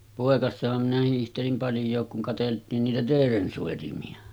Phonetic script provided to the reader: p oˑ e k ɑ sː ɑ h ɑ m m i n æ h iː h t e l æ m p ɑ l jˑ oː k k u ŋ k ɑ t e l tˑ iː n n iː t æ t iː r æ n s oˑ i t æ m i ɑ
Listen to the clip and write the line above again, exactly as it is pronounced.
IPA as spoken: p oˑ e k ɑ sː ɑ h ɑ m m i n æ h iː h t e l i m p ɑ l jˑ oː k k u ŋ k ɑ t e l tˑ iː n n iː t æ t eː r e n s oˑ i t i m i ɑ